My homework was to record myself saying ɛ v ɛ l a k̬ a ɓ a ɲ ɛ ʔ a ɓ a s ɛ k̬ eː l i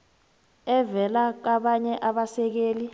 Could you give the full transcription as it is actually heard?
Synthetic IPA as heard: ɛ v ɛ l a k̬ a ɓ a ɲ ɛ ʔ a ɓ a s ɛ k̬ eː l i